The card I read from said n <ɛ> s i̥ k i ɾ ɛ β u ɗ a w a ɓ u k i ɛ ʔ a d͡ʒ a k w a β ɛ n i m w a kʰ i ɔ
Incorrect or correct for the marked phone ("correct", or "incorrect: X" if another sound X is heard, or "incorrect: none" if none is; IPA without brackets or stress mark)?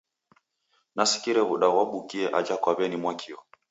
incorrect: a